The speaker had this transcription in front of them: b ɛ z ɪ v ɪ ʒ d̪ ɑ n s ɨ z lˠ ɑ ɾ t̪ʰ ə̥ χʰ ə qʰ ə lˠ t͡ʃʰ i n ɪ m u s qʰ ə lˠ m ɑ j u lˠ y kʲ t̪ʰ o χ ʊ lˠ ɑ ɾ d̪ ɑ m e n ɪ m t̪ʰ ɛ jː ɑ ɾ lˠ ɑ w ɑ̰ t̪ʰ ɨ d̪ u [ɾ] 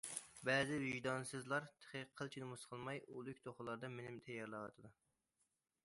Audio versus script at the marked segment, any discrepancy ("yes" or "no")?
yes